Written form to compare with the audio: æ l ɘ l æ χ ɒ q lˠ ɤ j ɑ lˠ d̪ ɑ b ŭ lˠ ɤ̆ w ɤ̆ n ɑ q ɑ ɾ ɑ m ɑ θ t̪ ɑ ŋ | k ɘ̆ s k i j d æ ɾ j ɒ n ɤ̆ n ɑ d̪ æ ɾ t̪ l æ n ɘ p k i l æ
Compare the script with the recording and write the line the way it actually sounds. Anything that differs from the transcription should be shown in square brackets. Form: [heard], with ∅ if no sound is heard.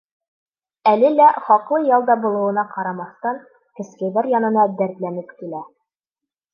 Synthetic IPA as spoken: æ l ɘ l æ χ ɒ q lˠ ɤ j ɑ lˠ d̪ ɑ b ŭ lˠ ɤ̆ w ɤ̆ n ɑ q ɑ ɾ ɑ m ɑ θ t̪ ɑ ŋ | k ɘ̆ s k [æ] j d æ ɾ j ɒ n ɤ̆ n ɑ d̪ æ ɾ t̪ l æ n ɘ p k i l æ